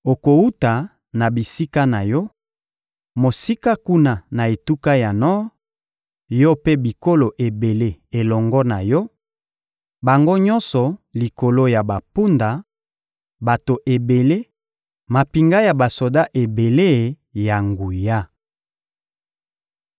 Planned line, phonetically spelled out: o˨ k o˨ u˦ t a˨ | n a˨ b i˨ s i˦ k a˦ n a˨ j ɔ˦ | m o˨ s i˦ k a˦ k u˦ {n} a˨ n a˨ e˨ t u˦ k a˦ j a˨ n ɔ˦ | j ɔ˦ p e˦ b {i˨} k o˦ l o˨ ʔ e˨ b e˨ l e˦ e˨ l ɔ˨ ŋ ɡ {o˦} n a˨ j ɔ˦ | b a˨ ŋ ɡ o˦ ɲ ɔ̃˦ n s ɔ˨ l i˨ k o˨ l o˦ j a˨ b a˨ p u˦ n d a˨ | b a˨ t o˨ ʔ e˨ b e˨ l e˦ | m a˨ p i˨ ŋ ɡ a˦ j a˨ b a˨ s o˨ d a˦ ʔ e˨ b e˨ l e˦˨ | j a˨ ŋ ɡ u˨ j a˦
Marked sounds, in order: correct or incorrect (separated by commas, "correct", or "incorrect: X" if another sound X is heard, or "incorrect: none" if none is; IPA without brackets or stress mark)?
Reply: correct, correct, incorrect: ɔ˦